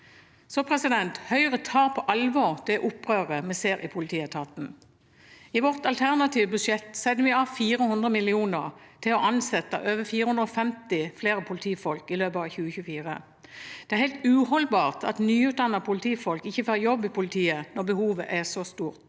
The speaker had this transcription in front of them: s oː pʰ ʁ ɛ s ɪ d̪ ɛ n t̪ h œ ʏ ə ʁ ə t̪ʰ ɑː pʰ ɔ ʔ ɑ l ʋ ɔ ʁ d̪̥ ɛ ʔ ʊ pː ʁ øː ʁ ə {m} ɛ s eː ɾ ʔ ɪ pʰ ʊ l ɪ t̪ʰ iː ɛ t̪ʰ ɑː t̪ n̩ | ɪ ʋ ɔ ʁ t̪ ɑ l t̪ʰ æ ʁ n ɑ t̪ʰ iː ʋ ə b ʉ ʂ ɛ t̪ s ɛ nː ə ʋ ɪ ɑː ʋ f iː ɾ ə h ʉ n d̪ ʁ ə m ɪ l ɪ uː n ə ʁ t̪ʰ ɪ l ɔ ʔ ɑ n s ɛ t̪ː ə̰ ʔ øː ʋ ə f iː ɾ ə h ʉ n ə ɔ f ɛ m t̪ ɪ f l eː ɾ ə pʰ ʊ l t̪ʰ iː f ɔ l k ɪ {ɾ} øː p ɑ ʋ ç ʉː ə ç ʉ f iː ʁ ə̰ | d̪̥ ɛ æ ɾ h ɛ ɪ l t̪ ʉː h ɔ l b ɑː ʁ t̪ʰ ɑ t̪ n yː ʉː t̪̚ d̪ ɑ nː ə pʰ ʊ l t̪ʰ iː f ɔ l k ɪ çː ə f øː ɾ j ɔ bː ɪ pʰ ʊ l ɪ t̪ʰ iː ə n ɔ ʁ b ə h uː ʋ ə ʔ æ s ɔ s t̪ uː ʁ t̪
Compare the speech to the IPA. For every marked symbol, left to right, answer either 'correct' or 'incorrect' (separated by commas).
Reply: correct, incorrect